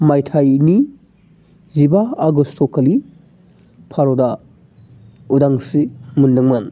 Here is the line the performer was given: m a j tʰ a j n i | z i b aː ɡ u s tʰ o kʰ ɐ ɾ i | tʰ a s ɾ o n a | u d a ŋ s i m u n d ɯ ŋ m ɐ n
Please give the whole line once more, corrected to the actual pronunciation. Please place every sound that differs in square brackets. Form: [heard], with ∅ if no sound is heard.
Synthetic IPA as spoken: m a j tʰ a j n i | z i b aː ɡ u s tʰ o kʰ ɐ [l] i | [pʰ] a [∅] ɾ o [d] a | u d a ŋ s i m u n d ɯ ŋ m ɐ n